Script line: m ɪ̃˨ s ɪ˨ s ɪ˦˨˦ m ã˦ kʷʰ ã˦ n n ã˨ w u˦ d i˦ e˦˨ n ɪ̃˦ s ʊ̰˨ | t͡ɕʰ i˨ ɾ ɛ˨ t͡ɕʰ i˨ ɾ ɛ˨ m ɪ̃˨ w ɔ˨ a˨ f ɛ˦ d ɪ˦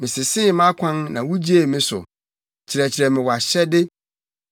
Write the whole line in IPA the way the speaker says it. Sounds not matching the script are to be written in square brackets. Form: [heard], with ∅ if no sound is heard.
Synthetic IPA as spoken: m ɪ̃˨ s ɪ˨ s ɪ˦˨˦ m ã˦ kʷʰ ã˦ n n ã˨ w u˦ [d͡ʑ] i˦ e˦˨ [m] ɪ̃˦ s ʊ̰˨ | t͡ɕʰ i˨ ɾ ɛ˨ t͡ɕʰ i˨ ɾ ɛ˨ m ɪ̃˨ w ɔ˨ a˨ [ɕ] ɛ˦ d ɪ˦